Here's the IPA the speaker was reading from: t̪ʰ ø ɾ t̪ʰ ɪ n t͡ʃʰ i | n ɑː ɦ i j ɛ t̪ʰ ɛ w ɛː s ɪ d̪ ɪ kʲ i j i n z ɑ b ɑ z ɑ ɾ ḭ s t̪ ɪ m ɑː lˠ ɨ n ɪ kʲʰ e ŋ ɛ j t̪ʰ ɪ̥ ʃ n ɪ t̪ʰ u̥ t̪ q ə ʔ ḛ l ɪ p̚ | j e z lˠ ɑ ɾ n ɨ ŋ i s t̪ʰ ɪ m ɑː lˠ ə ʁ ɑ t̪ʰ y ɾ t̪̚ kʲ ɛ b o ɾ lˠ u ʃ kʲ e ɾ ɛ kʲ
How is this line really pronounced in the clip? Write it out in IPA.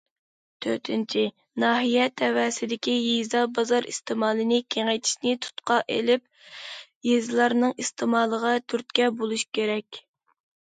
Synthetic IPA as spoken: t̪ʰ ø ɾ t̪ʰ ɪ n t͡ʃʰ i | n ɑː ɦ i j ɛ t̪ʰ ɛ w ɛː s ɪ d̪ ɪ kʲ i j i z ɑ b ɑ z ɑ ɾ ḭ s t̪ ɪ m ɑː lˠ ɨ n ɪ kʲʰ e ŋ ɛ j t̪ʰ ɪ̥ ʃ n ɪ t̪ʰ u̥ t̪ q ɑ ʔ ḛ l ɪ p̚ | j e z lˠ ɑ ɾ n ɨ ŋ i s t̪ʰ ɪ m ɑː lˠ ə ʁ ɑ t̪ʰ y ɾ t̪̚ kʲ ɛ b o lˠ u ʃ kʲ e ɾ ɛ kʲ